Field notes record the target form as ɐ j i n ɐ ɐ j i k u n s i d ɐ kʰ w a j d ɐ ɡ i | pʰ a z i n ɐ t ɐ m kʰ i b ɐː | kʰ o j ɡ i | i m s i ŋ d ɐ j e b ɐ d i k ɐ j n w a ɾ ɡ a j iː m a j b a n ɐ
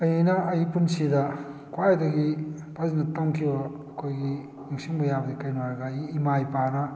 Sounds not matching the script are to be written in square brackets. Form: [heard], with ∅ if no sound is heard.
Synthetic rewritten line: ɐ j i n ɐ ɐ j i [p] u n s i d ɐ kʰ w a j d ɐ ɡ i | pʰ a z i n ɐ t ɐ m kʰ i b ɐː | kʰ o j ɡ i | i [ŋ] s i ŋ [b] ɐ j [a] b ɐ d i k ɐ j n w a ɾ ɡ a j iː m a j [p] a n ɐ